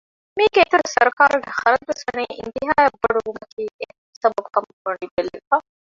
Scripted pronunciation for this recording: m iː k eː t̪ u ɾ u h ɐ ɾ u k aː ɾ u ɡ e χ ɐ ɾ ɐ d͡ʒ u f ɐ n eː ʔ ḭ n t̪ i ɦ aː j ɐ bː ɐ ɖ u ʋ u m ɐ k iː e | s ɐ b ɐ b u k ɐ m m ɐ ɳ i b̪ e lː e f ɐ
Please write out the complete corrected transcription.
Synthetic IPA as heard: m iː ɡ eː t̪ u ɾ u s ɐ ɾ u k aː ɾ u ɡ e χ ɐ ɾ ɐ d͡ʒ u s ɐ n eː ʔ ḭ n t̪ i ɦ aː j ɐ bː ɐ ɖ u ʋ u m ɐ k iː e | s ɐ b ɐ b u k ɐ m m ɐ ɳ i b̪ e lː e f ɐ